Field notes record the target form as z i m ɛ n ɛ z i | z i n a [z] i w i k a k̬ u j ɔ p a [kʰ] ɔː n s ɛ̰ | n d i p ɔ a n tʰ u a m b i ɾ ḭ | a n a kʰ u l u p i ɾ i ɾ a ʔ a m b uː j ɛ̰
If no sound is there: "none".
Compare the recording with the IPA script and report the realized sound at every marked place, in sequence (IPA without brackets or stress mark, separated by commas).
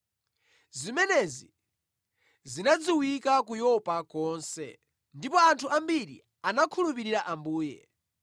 d͡z, k